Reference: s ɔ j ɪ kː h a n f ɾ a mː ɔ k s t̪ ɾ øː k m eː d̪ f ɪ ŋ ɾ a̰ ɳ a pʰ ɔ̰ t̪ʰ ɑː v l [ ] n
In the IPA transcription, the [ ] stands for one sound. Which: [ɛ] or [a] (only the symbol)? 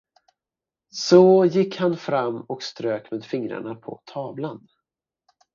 a